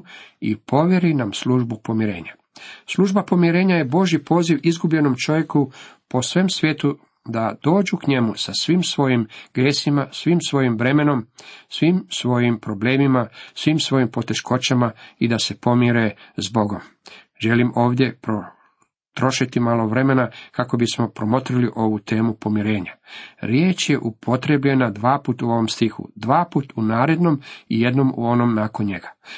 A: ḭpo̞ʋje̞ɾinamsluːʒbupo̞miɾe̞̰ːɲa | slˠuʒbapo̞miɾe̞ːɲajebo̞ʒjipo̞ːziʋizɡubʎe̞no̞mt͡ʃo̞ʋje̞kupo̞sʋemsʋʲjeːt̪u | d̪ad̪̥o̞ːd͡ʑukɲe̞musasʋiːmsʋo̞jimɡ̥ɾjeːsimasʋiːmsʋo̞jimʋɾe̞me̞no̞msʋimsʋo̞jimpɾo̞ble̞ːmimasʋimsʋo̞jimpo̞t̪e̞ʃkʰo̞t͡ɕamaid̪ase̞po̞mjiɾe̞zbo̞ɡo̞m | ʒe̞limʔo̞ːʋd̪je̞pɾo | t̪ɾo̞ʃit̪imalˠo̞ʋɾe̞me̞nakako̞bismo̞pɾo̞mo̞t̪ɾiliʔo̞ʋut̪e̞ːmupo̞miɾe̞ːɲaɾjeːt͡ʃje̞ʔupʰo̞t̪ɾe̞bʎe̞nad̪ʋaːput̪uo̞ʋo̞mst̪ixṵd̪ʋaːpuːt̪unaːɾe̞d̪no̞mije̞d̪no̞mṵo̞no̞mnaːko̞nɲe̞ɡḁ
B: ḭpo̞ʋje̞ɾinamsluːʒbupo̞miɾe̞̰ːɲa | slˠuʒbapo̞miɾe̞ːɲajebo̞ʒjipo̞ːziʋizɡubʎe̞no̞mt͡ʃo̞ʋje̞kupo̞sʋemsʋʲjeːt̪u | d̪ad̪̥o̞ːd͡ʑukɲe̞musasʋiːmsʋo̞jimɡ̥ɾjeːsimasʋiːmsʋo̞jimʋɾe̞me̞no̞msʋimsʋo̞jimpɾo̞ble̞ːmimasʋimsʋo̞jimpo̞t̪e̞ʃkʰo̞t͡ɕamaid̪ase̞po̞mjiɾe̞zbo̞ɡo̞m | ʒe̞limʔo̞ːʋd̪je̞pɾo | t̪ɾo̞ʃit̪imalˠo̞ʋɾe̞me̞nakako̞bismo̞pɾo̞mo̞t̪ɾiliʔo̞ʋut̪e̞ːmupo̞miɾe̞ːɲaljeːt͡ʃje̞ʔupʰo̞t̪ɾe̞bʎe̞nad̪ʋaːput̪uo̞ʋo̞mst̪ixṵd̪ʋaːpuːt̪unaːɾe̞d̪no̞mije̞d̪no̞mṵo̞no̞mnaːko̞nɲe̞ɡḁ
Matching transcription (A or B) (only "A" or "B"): A